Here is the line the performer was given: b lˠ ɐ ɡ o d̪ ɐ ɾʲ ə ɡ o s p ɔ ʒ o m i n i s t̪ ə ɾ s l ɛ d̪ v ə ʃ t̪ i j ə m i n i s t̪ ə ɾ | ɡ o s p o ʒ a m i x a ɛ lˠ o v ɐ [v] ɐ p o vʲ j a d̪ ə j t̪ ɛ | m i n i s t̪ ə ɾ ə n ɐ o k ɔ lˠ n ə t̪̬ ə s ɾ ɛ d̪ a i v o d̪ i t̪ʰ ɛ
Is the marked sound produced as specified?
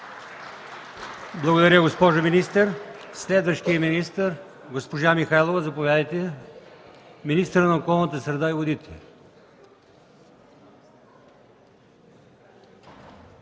no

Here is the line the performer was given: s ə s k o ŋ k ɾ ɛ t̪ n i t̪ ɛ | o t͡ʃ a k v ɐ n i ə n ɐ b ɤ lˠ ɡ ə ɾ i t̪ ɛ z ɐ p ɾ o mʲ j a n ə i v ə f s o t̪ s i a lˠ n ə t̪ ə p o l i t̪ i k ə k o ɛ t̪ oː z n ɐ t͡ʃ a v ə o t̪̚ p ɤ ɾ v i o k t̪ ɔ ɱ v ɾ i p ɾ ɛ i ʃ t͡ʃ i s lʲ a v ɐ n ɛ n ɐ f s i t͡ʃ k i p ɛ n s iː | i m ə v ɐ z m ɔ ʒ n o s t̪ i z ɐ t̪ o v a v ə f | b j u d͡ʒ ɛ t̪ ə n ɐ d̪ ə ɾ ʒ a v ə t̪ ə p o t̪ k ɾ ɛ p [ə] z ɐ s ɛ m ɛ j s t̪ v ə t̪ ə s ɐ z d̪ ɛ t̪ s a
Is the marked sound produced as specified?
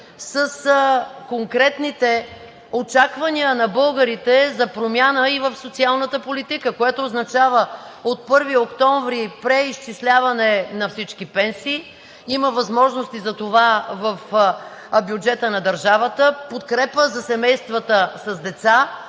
yes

